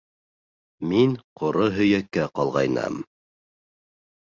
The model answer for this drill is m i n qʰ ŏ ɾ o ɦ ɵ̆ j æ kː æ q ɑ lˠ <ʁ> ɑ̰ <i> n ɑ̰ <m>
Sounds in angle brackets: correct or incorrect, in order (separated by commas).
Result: correct, incorrect, correct